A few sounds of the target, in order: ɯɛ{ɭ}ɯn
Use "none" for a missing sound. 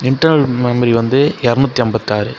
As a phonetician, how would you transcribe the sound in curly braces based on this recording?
ɾ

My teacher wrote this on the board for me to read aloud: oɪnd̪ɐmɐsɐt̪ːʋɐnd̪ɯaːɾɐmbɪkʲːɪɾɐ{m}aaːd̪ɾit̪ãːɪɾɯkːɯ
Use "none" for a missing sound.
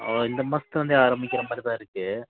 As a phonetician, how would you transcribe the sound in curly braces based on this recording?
m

